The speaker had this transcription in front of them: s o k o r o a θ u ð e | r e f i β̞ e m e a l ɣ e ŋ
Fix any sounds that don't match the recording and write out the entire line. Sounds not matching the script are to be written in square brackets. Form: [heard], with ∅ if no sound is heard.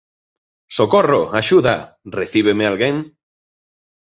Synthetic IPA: s o k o r o a [ʃ] u ð [a] | r e [θ] i β̞ e m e a l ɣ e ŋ

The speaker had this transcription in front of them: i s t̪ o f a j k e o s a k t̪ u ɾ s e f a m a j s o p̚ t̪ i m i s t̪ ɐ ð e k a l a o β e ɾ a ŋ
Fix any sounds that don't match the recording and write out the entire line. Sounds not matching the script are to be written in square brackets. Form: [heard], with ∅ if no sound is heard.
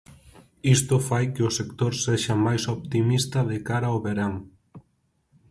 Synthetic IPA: i s t̪ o f a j k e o s [e] k t̪ [o] ɾ s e [ʃ] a m a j s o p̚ t̪ i m i s t̪ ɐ ð e k a [ɾ] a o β e ɾ a ŋ

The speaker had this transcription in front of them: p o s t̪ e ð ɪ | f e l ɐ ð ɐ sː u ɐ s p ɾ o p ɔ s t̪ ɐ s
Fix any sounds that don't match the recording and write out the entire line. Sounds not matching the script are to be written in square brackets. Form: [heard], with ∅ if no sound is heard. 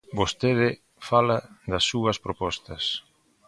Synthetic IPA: [b] o s t̪ e ð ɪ | f [a] l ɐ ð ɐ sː u ɐ s p ɾ o p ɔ s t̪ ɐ s

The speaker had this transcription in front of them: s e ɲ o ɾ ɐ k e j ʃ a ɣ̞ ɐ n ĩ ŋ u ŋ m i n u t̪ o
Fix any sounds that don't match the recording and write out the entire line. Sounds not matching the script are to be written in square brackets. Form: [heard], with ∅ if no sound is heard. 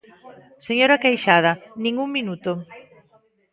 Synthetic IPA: s e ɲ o ɾ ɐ k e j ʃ a [ð̞] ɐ n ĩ ŋ u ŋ m i n u t̪ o

